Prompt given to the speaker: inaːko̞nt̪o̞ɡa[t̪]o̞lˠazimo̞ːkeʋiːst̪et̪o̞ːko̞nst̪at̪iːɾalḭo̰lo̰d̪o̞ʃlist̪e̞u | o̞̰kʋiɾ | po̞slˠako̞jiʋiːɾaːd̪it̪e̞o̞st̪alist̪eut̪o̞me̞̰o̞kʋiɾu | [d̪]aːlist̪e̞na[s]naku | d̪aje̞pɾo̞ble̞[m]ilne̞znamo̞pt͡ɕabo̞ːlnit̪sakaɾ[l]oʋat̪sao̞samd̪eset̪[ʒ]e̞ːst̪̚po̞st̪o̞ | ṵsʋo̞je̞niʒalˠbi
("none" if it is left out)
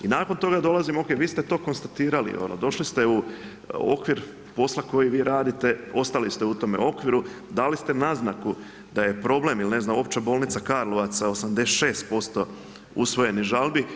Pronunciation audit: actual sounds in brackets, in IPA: d̪, d̪, z, m, l, ʃ

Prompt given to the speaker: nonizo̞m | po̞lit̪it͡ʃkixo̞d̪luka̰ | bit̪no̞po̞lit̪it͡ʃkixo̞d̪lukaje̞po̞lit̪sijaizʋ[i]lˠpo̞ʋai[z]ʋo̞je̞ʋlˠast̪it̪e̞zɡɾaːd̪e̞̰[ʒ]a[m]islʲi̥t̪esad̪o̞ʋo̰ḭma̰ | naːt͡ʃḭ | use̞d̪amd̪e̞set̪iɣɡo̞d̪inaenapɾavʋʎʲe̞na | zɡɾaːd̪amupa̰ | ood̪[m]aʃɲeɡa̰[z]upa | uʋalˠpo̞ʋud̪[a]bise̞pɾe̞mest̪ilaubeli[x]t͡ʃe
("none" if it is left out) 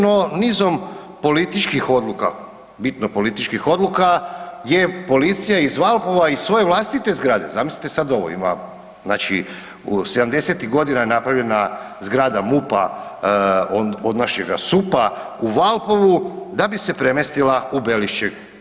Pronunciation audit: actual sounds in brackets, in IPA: a, s, z, m, n, s, a, ʃ

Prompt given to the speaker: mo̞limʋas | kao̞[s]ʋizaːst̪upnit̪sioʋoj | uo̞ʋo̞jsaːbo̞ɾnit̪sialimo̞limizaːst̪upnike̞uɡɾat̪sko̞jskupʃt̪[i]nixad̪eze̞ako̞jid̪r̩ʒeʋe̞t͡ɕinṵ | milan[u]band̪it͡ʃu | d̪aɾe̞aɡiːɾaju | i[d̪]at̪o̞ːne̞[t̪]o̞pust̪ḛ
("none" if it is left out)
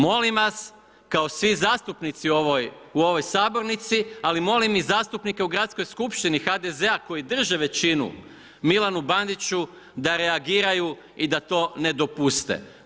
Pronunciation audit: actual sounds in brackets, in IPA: s, i, u, d̪, d̪

